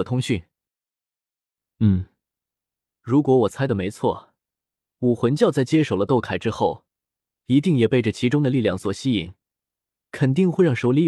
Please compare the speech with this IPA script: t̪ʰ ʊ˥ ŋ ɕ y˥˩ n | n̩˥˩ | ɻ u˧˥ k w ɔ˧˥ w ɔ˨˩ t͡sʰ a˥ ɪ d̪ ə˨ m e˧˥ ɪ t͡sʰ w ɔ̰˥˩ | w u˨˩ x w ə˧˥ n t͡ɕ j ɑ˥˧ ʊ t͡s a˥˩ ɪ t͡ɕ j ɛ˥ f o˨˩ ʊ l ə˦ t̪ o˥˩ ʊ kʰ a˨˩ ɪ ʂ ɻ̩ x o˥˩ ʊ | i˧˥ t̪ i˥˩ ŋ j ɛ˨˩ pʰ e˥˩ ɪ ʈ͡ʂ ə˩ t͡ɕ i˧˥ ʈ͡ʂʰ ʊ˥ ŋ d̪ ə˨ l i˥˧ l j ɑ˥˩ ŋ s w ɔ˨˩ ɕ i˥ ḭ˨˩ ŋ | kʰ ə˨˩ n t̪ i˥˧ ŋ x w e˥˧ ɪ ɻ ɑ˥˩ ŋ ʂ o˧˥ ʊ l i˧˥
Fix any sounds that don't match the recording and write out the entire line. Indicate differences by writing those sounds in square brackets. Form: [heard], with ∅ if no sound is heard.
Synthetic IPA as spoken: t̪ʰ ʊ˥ ŋ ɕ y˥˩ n | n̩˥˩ | ɻ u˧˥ k w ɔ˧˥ w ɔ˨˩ t͡sʰ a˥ ɪ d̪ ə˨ m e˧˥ ɪ t͡sʰ w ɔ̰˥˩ | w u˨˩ x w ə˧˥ n t͡ɕ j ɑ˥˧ ʊ t͡s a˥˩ ɪ t͡ɕ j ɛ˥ [ʂ] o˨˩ ʊ l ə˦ t̪ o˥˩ ʊ kʰ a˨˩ ɪ [ʈ͡ʂ] ɻ̩ x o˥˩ ʊ | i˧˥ t̪ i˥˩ ŋ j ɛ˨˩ [p] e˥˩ ɪ ʈ͡ʂ ə˩ [t͡ɕʰ] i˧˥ [ʈ͡ʂ] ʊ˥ ŋ d̪ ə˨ l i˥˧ l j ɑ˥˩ ŋ s w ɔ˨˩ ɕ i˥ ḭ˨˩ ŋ | kʰ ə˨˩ n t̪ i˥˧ ŋ x w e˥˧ ɪ ɻ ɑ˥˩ ŋ ʂ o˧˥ ʊ l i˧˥